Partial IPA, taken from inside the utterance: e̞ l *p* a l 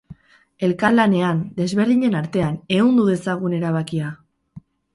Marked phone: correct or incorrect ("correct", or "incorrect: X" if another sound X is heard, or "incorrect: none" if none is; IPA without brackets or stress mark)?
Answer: incorrect: k